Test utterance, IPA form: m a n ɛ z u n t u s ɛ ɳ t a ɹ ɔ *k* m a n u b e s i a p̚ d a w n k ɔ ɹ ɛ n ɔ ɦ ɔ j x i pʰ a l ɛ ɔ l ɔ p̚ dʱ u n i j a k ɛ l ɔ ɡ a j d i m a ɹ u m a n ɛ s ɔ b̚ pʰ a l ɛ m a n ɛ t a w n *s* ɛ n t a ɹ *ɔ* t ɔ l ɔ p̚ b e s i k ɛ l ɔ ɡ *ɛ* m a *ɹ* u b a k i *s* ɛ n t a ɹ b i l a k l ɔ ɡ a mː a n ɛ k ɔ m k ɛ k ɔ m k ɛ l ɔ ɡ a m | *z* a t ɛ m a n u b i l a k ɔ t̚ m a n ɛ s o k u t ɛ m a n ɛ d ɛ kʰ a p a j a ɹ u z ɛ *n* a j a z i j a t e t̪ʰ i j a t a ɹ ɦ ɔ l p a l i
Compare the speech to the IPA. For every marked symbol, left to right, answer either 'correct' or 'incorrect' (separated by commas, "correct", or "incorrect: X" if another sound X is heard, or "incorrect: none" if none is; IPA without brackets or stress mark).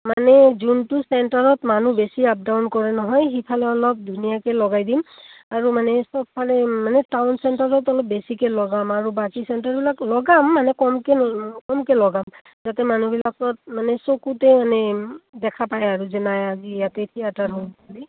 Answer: incorrect: t, correct, correct, incorrect: a, correct, correct, correct, correct